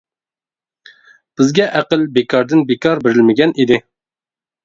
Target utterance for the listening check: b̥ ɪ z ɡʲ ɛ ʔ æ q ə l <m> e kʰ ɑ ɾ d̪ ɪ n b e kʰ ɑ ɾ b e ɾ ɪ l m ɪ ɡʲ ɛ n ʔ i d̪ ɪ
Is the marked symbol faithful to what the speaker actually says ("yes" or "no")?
no